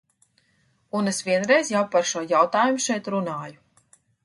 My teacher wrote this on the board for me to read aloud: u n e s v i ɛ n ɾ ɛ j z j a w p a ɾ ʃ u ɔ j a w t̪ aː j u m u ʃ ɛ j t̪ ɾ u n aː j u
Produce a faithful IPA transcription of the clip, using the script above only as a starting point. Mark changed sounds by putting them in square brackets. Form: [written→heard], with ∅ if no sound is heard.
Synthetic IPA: u n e s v i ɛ n ɾ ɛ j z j a w p a ɾ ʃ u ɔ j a w t̪ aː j u m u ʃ ɛ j t̪ ɾ u n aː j u